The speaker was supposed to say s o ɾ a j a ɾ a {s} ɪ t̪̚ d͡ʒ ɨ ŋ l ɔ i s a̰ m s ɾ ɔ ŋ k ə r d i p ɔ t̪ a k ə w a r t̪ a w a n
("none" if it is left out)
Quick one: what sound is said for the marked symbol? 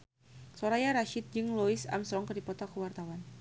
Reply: ʃ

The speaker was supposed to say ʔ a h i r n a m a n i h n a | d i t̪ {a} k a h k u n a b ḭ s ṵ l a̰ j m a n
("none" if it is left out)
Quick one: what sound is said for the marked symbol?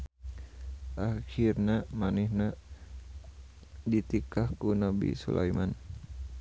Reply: i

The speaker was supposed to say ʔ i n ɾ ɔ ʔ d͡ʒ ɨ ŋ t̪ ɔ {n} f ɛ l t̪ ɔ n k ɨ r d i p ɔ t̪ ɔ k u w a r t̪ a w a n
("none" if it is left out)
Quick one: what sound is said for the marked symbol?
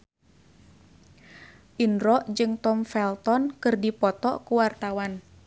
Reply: m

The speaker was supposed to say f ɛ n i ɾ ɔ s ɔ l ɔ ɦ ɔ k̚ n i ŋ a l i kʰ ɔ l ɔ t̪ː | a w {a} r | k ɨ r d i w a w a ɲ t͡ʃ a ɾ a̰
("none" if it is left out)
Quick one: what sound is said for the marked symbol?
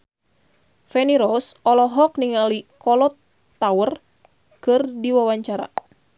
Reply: ə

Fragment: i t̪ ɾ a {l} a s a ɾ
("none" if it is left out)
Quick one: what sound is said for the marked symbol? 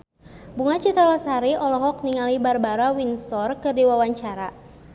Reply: l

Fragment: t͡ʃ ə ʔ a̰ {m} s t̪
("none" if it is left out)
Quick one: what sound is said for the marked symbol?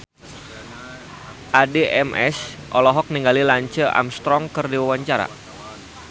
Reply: m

